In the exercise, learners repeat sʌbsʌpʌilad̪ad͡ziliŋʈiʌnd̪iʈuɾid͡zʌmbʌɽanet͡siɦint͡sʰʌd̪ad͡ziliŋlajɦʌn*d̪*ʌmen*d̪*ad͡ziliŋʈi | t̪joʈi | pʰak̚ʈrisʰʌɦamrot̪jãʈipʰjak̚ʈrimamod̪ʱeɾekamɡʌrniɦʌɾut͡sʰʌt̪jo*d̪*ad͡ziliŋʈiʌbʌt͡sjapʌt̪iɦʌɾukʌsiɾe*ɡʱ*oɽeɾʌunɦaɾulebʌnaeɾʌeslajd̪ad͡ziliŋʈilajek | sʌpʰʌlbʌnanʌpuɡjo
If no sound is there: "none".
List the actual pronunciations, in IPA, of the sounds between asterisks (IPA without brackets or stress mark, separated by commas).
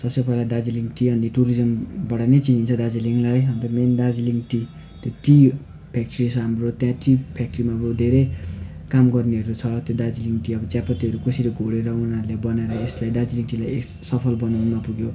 t̪, d̪, d̪, ɡʱ